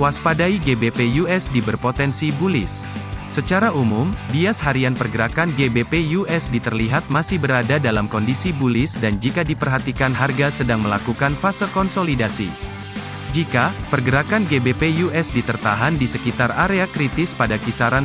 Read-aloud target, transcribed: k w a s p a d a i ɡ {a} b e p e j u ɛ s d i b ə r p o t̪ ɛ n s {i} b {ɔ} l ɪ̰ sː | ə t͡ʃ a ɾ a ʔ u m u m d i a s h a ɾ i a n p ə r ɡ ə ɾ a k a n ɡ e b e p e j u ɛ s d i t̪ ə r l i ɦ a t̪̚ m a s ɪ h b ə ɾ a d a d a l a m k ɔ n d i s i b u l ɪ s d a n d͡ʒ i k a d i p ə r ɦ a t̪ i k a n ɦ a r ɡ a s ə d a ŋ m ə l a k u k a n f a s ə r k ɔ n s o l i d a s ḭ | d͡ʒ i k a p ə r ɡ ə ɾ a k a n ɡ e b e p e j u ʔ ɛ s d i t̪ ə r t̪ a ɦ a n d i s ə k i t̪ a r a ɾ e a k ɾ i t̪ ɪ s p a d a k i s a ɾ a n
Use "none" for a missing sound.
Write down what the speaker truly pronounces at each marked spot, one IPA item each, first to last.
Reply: e, i, u

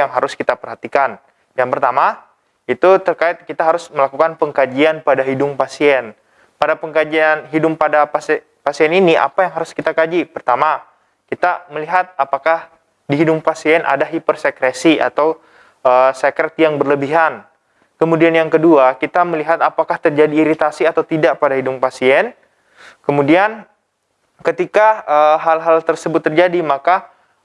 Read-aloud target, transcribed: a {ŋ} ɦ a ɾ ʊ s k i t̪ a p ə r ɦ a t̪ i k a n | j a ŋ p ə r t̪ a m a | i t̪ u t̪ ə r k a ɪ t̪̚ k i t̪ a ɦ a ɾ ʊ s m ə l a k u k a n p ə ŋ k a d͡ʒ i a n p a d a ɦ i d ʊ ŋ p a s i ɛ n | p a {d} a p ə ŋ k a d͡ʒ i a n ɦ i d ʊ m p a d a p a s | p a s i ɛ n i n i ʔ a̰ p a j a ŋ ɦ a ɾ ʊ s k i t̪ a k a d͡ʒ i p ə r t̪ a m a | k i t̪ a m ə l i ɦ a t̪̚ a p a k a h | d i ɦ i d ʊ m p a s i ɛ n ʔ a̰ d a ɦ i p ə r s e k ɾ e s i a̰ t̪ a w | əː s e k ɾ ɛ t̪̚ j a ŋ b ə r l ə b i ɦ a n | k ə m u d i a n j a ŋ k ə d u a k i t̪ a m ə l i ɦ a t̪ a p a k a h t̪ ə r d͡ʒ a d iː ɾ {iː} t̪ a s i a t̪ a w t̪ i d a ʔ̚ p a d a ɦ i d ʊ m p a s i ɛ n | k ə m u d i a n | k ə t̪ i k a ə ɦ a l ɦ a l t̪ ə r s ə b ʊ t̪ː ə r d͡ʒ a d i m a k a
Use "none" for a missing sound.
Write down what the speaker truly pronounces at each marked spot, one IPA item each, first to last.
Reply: ŋ, d, i

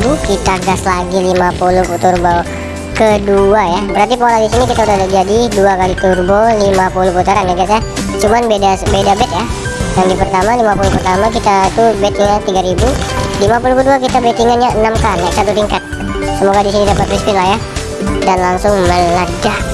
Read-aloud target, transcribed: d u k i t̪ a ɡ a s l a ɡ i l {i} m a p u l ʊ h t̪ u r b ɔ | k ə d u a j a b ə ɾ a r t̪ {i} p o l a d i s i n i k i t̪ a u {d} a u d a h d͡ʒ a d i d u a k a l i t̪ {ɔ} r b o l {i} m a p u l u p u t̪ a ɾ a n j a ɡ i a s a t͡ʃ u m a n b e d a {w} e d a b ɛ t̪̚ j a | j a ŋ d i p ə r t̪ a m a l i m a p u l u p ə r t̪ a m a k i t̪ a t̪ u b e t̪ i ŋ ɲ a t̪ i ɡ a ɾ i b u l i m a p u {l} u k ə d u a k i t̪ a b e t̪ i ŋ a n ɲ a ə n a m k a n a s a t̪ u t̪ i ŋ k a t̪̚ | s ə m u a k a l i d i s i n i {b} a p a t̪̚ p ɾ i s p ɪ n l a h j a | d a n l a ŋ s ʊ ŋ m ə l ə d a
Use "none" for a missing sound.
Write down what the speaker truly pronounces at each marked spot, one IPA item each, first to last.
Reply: i, i, d, u, i, b, l, d

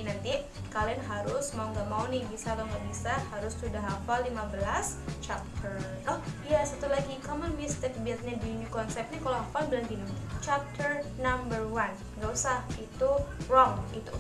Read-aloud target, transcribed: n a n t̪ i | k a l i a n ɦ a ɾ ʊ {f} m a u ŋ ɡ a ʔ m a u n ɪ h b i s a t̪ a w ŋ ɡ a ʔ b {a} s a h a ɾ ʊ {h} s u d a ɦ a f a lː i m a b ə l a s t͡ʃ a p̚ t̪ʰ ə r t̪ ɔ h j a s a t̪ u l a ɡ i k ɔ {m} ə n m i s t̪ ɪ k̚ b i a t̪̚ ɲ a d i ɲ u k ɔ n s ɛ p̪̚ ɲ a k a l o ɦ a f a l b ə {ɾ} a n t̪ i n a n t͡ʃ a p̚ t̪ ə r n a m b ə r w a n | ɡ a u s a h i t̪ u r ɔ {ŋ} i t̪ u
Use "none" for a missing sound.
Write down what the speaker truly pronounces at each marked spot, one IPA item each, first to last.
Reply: s, i, s, m, l, ŋ

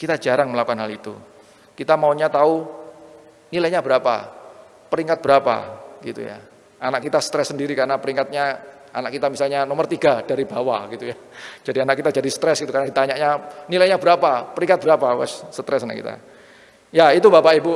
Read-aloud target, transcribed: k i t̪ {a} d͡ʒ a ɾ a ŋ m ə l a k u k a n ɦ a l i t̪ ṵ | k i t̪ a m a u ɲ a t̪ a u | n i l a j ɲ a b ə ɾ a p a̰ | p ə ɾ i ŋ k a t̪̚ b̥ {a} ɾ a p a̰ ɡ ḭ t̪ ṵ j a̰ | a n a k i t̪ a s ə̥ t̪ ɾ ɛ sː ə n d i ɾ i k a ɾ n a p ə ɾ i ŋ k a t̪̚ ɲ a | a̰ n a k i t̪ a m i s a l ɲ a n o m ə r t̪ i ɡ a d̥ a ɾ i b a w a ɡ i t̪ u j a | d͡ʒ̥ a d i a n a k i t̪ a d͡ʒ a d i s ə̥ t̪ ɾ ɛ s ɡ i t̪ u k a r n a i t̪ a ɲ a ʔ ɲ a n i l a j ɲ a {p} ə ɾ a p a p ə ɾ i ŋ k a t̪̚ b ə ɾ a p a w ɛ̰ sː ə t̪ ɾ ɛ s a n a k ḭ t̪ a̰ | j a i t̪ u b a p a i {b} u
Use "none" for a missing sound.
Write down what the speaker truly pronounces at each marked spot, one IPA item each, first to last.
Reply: a, ə, b, b

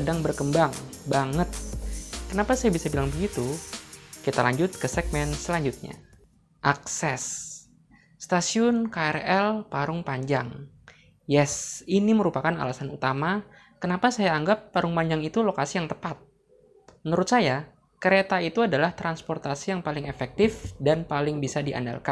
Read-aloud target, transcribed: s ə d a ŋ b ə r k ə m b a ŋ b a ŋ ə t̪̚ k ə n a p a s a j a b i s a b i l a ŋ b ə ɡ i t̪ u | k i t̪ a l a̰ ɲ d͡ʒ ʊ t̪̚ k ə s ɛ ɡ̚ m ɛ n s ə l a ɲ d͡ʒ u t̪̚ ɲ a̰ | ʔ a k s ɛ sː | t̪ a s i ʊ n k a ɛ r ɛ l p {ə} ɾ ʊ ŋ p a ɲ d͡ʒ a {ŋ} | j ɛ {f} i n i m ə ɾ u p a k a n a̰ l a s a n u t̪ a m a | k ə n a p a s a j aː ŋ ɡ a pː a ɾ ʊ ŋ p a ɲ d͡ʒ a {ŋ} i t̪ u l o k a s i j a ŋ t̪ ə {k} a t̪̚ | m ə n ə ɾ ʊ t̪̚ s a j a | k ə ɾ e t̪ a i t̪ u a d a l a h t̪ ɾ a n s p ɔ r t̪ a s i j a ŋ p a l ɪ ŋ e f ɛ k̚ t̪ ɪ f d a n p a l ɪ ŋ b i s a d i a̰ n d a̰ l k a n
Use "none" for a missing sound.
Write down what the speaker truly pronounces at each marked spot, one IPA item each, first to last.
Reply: a, ŋ, s, ŋ, p

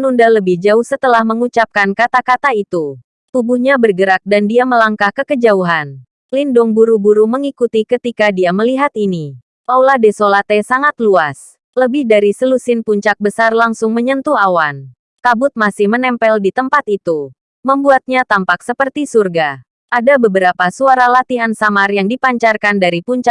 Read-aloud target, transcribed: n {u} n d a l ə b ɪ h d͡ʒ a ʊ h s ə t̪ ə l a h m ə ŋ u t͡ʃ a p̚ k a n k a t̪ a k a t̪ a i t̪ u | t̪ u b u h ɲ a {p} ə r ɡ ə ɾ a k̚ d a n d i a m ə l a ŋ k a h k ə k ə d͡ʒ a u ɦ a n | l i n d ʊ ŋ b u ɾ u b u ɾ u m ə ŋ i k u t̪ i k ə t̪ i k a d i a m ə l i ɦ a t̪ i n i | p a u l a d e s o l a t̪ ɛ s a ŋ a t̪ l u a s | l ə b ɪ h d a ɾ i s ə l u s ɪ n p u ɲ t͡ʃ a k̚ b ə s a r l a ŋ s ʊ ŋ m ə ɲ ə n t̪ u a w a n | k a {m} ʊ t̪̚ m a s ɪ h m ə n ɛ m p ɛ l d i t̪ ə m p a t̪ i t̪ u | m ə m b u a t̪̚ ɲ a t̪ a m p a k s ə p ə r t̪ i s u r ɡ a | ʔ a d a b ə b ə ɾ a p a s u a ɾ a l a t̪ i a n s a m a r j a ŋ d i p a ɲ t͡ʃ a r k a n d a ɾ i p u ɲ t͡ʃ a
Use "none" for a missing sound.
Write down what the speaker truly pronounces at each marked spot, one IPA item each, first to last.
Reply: u, b, b

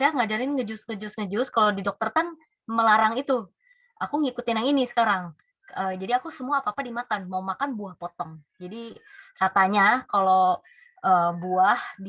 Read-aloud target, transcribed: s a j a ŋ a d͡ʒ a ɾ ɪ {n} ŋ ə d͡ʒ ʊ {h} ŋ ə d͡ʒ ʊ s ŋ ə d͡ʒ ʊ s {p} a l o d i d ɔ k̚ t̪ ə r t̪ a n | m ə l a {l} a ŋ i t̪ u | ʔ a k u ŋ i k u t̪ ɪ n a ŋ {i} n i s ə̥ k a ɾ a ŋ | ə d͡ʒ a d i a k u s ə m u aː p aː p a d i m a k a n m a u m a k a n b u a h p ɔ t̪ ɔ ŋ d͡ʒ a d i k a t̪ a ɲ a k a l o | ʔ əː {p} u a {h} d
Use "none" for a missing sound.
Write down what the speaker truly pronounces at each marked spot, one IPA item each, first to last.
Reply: n, s, k, ɾ, i, b, h

